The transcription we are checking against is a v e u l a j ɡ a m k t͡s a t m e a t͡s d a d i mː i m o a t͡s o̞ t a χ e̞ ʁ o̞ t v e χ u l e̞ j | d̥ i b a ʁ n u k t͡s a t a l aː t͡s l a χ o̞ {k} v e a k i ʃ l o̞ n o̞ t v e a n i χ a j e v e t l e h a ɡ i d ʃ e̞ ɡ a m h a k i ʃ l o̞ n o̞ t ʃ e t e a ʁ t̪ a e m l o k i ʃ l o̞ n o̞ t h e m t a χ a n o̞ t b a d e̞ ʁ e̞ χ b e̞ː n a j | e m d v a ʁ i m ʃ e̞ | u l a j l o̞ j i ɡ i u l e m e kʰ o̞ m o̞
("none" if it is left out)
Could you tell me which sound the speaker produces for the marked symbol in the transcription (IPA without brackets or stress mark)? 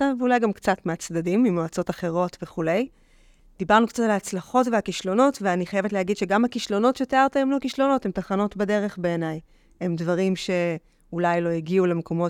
t